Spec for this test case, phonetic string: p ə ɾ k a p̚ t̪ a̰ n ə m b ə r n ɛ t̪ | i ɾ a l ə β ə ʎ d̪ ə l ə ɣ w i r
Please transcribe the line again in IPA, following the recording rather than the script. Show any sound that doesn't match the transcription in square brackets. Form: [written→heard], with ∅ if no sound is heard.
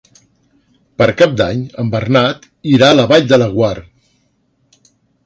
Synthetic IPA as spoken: p ə ɾ k a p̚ [t̪→d̪] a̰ [n→ɲ] ə m b ə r n [ɛ→a] t̪ | i ɾ a l ə β [ə→a] ʎ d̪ ə l ə ɣ w [i→a] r

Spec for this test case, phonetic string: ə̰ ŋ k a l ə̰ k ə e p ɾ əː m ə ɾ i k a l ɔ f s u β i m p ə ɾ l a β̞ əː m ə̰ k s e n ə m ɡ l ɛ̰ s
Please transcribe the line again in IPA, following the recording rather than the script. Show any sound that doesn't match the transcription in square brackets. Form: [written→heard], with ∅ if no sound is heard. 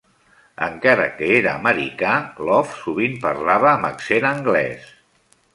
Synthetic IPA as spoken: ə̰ ŋ k a [l→ɾ] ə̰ k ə e [p→∅] ɾ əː m ə ɾ i k a l ɔ f s u β i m p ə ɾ l a β̞ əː m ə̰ k s e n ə [m→ŋ] ɡ l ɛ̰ s

